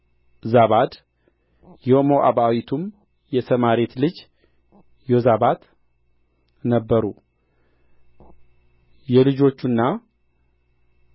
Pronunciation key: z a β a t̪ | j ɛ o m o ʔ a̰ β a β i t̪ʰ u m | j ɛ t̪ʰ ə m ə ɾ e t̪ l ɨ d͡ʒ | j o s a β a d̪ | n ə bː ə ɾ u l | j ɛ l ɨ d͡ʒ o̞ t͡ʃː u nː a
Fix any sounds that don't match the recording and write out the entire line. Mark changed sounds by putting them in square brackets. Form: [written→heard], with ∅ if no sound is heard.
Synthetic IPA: z a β a [t̪→d̪] | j ɛ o m o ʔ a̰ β a [β→w] i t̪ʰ u m | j ɛ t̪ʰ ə m [ə→a] ɾ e t̪ l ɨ d͡ʒ | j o [s→z] a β a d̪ | n ə bː ə ɾ u [l→∅] | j ɛ l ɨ d͡ʒ o̞ t͡ʃː u nː a